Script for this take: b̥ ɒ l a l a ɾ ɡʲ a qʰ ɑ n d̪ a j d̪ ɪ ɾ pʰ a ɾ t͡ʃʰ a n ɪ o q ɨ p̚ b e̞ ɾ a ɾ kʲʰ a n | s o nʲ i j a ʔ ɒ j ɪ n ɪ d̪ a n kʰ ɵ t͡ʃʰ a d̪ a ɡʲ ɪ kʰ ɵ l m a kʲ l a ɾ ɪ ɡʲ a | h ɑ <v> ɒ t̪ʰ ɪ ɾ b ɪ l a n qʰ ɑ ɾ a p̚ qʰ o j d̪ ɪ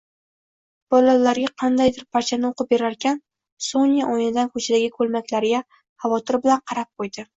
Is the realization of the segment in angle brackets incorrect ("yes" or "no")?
no